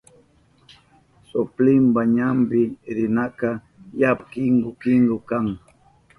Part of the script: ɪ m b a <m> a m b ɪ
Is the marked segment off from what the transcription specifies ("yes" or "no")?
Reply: yes